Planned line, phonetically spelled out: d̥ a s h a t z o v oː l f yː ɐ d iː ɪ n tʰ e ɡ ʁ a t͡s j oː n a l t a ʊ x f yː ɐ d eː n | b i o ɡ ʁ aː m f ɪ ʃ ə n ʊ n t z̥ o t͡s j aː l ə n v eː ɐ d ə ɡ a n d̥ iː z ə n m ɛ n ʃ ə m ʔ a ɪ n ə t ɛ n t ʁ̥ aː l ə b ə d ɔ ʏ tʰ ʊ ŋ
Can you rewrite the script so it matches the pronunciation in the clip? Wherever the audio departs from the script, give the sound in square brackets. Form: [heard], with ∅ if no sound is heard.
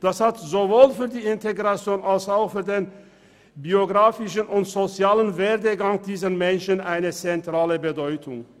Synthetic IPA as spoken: d̥ a s h a t z o v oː l f yː ɐ d iː ɪ n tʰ e ɡ ʁ a t͡s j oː n a l [s] a ʊ x f yː ɐ d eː n | b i o ɡ ʁ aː [∅] f ɪ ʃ ə n ʊ n t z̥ o t͡s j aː l ə n v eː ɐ d ə ɡ a [ŋ] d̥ iː z ə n m ɛ n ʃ ə [n] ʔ a ɪ n ə [t͡s] ɛ n t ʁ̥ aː l ə b ə d ɔ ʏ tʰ ʊ ŋ